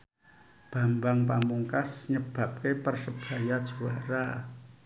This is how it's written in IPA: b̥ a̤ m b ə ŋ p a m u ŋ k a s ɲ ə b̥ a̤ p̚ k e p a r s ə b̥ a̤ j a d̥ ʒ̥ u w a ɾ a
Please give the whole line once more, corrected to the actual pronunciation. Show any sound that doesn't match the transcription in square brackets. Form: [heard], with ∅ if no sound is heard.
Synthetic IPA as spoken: b̥ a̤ m b [a] ŋ p a m u ŋ k a s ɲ ə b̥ a̤ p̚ k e p [ə] r s ə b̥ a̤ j a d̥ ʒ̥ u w a ɾ a